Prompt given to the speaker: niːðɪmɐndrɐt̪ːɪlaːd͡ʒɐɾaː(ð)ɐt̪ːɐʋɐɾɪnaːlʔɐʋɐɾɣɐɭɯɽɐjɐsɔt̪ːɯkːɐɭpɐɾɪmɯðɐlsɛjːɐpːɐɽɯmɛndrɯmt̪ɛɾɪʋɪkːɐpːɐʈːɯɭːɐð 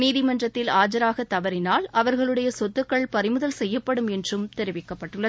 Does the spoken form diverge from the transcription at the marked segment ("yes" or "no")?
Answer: yes